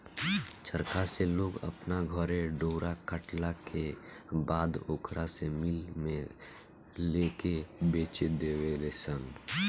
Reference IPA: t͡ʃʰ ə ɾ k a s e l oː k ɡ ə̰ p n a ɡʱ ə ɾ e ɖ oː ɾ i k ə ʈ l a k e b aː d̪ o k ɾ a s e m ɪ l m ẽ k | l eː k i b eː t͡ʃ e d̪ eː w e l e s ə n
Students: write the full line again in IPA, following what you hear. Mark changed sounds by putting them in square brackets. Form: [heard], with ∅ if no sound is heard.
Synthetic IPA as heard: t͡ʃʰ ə ɾ k a s e l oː [∅] ɡ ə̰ p n a ɡʱ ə ɾ e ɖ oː ɾ [a] k ə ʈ l a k e b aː d̪ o k ɾ a s e m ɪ l m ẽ [∅] | l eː k [e] b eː t͡ʃ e d̪ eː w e l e s ə n